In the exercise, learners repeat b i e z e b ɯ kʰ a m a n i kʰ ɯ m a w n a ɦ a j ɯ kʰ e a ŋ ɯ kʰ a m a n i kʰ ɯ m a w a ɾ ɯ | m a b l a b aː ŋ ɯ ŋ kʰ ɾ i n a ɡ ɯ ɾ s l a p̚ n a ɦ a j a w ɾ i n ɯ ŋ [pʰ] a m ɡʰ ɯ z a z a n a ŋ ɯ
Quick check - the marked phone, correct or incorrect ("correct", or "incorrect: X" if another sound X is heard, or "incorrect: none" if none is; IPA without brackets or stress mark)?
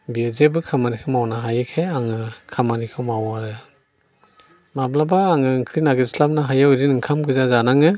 incorrect: kʰ